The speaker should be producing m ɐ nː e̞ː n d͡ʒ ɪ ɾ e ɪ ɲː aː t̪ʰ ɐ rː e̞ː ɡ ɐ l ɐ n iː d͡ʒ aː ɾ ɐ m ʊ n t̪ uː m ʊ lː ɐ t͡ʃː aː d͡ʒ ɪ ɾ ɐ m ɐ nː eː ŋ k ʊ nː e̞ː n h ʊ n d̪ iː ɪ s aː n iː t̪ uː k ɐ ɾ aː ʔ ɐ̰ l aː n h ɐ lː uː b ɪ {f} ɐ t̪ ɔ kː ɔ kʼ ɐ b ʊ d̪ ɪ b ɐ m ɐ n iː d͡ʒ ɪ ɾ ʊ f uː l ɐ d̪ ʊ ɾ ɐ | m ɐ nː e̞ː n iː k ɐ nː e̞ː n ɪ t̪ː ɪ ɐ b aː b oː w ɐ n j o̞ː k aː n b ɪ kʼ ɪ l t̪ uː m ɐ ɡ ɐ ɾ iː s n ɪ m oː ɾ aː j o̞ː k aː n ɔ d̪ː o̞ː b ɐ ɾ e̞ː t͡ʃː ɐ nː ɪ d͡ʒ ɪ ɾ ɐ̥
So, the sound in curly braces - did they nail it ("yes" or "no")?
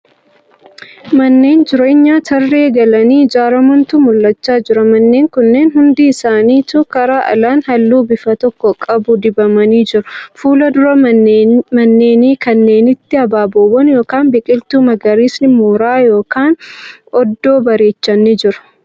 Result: yes